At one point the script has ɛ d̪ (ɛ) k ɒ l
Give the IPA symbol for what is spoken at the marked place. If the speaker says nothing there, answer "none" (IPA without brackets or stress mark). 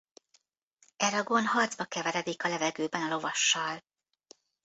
i